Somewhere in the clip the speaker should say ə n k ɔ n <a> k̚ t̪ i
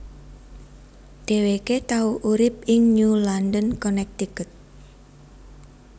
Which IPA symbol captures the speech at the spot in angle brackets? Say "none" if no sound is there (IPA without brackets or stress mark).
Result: ɛ